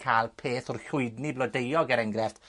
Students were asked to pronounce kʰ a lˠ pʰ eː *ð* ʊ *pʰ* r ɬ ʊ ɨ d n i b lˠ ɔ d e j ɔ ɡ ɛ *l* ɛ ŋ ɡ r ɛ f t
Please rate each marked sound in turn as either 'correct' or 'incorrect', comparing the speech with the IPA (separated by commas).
incorrect, incorrect, incorrect